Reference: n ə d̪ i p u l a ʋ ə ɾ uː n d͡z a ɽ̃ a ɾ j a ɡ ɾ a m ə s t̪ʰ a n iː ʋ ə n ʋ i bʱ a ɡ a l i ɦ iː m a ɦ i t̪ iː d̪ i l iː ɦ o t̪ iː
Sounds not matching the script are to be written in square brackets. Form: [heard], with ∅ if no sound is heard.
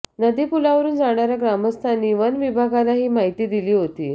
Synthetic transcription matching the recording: n ə d̪ i p u l a ʋ ə ɾ uː n d͡z a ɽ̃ a ɾ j a ɡ ɾ a m ə s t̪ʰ a n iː ʋ ə n ʋ i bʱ a ɡ a l [a] ɦ iː m a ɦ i t̪ iː d̪ i l iː ɦ o t̪ iː